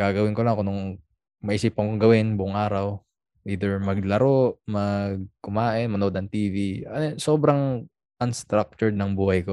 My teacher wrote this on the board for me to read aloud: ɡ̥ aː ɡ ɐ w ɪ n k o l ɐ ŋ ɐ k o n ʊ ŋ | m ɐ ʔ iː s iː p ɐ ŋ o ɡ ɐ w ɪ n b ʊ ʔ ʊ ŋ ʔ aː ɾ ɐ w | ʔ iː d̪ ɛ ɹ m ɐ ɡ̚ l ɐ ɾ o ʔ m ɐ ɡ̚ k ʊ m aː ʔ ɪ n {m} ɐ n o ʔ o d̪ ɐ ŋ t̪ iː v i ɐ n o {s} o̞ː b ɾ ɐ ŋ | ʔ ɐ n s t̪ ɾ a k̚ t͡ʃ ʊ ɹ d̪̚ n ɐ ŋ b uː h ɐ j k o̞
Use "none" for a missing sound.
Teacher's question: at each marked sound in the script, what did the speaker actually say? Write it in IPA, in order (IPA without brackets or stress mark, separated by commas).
m, s